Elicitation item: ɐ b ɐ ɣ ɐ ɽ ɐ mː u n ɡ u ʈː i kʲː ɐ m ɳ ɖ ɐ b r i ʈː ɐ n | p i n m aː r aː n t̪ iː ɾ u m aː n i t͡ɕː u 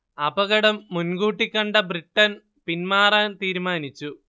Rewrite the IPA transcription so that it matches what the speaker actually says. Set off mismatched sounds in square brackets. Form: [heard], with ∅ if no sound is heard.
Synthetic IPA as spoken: ɐ b ɐ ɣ ɐ ɽ ɐ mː u n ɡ [uː] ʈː i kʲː ɐ [∅] ɳ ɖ ɐ b r i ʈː ɐ n | p i n m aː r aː n t̪ iː ɾ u m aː n i t͡ɕː u